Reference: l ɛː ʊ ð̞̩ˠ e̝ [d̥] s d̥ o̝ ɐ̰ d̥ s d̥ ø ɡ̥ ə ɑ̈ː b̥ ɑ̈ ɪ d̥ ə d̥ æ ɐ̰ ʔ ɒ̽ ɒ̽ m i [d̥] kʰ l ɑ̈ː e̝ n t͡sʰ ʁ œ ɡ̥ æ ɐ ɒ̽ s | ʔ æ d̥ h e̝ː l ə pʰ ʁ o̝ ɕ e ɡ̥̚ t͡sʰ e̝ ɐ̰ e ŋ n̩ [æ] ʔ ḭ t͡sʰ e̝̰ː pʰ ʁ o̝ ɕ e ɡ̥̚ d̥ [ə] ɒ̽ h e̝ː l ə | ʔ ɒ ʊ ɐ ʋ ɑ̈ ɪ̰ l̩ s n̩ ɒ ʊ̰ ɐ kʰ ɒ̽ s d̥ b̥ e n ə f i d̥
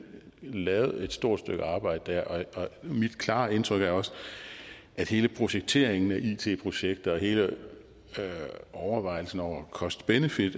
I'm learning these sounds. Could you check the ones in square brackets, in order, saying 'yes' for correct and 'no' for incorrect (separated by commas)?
yes, yes, yes, no